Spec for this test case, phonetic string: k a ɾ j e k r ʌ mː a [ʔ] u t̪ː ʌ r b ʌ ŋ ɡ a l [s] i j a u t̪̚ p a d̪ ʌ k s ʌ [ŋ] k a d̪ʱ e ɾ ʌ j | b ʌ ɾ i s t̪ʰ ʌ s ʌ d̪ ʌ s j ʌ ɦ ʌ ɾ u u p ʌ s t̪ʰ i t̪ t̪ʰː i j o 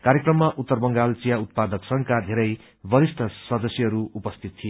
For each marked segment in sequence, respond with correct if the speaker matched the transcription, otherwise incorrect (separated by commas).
correct, incorrect, correct